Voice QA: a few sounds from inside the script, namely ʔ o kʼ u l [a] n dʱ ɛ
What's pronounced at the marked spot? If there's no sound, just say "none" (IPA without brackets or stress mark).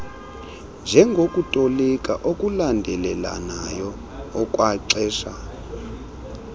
a